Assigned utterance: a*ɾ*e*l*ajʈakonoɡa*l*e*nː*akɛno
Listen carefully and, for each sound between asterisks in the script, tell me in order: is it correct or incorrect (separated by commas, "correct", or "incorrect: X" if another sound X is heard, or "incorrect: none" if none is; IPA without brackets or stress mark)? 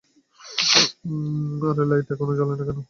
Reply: correct, correct, correct, incorrect: n